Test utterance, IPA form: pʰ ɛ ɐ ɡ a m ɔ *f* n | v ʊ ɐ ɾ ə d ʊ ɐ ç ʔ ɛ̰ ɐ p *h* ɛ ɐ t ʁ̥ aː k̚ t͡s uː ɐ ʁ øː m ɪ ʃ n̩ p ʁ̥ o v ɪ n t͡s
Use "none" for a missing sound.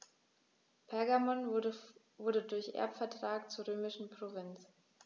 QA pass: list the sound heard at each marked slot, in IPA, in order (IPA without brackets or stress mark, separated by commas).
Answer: none, f